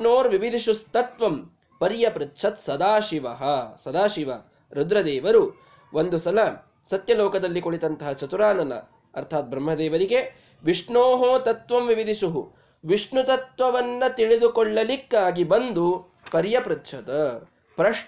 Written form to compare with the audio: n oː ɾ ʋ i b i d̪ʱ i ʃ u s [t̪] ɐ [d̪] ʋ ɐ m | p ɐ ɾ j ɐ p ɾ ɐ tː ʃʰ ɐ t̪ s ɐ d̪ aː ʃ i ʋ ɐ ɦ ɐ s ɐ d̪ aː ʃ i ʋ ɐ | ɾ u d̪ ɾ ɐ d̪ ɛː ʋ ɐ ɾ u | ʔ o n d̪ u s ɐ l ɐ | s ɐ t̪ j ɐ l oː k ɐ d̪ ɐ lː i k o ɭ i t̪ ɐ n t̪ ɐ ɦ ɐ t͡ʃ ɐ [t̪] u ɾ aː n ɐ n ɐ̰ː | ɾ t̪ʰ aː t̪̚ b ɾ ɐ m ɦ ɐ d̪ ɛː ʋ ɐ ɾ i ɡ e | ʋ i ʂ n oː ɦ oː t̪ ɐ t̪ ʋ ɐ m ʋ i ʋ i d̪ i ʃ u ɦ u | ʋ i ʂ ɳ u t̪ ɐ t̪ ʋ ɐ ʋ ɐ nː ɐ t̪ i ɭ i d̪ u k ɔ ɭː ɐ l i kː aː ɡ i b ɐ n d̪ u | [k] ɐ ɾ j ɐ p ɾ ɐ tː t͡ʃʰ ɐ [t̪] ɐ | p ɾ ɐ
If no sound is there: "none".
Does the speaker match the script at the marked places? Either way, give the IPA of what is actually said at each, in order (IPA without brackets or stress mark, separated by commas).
t̪, t̪, t̪, p, t̪